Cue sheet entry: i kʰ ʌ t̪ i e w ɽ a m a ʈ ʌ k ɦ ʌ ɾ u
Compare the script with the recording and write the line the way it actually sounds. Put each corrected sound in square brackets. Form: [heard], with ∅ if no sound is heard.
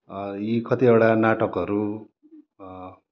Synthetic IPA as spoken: i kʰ ʌ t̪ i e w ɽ a [n] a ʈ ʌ k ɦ ʌ ɾ u